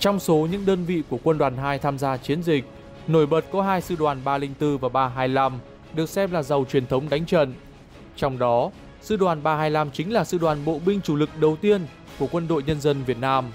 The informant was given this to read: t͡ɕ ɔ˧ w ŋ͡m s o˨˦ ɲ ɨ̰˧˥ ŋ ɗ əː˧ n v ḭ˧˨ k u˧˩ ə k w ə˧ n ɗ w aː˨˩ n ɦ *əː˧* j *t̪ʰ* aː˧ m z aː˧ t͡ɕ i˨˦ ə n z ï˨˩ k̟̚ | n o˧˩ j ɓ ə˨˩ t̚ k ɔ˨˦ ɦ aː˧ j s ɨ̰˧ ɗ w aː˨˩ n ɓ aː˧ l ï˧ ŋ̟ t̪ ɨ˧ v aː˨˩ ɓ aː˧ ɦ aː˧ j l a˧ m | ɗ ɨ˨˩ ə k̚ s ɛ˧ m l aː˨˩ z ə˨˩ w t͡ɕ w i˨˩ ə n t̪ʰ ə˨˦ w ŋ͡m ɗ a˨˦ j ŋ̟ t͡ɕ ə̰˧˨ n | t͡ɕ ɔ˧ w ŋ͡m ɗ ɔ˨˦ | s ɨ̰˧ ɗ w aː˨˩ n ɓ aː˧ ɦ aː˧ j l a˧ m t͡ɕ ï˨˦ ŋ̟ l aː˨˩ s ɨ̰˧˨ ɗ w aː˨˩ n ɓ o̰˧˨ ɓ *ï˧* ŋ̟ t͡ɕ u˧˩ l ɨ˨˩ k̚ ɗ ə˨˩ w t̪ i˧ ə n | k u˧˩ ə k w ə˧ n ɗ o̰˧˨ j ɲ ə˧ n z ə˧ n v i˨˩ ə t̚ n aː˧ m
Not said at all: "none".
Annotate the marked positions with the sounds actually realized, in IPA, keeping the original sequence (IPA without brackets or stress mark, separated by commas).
aː˧, t̪ʰ, ï˧